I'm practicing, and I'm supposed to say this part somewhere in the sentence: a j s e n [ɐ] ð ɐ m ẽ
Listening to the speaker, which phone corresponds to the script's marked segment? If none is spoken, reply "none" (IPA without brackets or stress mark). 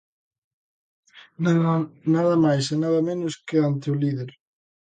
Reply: a